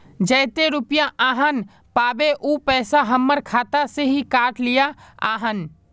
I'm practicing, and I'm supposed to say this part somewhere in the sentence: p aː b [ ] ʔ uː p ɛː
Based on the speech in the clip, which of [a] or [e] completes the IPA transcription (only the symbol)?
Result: e